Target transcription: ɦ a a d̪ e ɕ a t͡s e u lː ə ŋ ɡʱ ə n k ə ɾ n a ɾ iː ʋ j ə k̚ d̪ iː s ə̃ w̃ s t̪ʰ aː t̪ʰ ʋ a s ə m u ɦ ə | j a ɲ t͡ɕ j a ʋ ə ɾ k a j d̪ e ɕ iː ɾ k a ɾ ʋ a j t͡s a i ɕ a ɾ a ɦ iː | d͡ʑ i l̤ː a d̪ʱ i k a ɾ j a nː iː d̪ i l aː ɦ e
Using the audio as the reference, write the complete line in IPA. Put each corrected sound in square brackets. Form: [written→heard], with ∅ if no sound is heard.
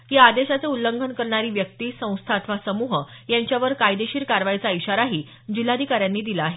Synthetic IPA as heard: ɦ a a d̪ e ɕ a t͡s e u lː ə ŋ ɡʱ ə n k ə ɾ [n→ɳ] a ɾ iː ʋ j ə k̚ [d̪→t̪] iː s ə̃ w̃ s t̪ʰ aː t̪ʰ ʋ a s ə m u ɦ ə | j a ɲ t͡ɕ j a ʋ ə ɾ k a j d̪ e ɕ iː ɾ k a ɾ ʋ a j t͡s a i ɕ a ɾ a ɦ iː | d͡ʑ i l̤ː a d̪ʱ i k a ɾ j a nː iː d̪ i l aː ɦ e